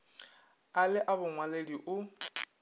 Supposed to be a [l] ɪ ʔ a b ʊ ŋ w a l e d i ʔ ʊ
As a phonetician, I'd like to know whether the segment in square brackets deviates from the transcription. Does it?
no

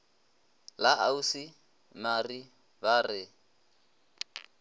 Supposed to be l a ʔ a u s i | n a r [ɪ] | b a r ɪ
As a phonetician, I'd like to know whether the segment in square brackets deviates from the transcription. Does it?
yes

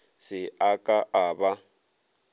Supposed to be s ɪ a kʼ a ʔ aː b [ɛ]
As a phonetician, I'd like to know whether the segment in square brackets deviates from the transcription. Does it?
yes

